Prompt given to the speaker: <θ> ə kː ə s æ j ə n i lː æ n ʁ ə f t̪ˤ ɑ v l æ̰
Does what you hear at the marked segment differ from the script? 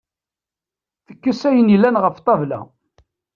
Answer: no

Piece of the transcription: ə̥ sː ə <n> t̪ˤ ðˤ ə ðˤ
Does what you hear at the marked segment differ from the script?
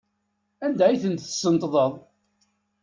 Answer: no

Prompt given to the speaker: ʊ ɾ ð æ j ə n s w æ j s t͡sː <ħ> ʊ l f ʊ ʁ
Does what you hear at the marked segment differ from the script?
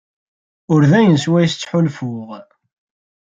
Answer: no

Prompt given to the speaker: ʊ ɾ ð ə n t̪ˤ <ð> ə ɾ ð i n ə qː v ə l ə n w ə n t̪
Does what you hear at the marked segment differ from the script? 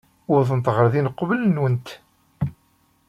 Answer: yes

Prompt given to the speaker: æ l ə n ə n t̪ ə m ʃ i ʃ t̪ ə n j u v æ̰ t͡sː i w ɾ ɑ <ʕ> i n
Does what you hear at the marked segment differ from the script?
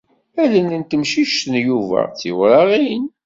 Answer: yes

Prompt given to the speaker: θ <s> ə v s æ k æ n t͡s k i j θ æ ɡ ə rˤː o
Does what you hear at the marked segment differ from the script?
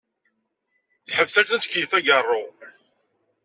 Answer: yes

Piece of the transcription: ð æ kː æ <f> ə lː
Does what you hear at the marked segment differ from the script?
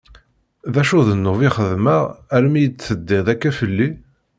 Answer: no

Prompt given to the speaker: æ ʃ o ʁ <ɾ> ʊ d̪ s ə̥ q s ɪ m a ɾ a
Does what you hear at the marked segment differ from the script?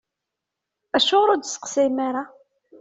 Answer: no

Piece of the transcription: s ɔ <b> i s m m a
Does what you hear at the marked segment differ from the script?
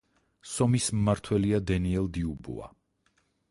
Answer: yes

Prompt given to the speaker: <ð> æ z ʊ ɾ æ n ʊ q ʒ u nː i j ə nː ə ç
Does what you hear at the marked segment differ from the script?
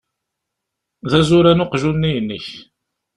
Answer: no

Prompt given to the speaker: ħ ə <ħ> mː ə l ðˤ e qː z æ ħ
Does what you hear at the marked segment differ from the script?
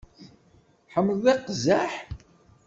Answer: yes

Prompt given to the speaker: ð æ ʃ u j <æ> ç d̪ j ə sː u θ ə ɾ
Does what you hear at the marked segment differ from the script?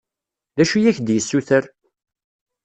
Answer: no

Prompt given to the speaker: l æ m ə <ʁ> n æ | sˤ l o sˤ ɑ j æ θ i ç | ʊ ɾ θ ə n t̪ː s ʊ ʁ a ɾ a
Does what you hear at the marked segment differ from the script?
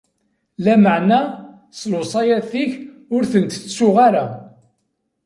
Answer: yes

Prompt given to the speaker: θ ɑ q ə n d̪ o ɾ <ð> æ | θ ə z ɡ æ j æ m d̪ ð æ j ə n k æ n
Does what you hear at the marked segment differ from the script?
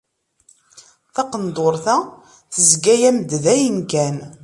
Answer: yes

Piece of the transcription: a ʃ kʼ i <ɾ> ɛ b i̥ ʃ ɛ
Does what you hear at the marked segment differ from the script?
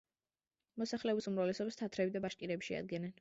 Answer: no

